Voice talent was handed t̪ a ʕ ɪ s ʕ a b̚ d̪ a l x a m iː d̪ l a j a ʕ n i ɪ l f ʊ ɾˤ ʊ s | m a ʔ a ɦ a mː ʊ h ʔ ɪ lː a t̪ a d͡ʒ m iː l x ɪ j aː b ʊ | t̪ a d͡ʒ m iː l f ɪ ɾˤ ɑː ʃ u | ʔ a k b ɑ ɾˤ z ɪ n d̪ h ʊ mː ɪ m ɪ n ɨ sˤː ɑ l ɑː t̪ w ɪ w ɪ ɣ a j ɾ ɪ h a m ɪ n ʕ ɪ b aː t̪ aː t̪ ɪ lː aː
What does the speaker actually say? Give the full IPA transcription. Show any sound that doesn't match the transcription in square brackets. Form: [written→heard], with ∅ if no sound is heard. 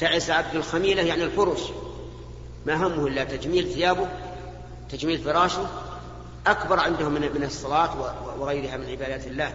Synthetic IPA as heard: t̪ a ʕ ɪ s ʕ a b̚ d̪ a l x a m iː [d̪→∅] l a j a ʕ n i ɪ l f ʊ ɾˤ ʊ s | m a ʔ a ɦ a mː ʊ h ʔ ɪ lː a t̪ a d͡ʒ m iː l [x→θ] ɪ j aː b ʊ | t̪ a d͡ʒ m iː l f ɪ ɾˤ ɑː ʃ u | ʔ a k b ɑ ɾˤ [z→ʕ] ɪ n d̪ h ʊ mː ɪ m ɪ n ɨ sˤː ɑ l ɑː t̪ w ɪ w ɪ ɣ a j ɾ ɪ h a m ɪ n ʕ ɪ b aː [t̪→d̪] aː t̪ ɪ lː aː